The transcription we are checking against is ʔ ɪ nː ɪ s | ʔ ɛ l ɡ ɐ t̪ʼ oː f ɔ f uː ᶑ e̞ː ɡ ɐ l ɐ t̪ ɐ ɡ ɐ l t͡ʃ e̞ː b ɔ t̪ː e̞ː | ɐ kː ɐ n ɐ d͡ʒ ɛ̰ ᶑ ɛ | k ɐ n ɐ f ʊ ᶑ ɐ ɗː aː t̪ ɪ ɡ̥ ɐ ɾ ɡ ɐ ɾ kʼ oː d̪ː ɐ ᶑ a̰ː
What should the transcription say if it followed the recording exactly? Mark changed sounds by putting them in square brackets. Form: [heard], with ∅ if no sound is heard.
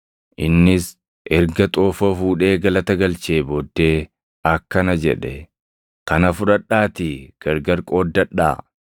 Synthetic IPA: ʔ ɪ nː ɪ s | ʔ ɛ [ɾ] ɡ ɐ t̪ʼ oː f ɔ f uː ᶑ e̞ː ɡ ɐ l ɐ t̪ ɐ ɡ ɐ l t͡ʃ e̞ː b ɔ [d̪ː] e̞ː | ɐ kː ɐ n ɐ d͡ʒ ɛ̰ ᶑ ɛ | k ɐ n ɐ f ʊ ᶑ ɐ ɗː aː t̪ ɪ ɡ̥ ɐ ɾ ɡ ɐ ɾ kʼ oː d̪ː ɐ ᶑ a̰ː